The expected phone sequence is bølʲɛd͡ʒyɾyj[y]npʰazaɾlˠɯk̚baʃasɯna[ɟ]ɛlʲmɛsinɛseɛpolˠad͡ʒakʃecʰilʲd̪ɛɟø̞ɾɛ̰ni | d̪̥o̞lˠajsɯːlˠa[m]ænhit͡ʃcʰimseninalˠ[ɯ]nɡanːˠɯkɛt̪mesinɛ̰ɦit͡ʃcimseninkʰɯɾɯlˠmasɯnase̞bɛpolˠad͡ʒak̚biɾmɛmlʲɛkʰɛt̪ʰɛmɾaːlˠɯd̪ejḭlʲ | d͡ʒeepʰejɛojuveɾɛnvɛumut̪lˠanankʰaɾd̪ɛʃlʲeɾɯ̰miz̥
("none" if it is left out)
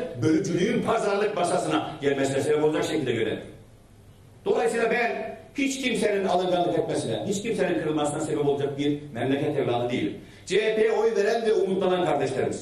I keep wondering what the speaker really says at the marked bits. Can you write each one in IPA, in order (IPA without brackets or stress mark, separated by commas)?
y, ɟ, b, ɯ